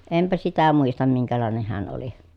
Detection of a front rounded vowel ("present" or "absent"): absent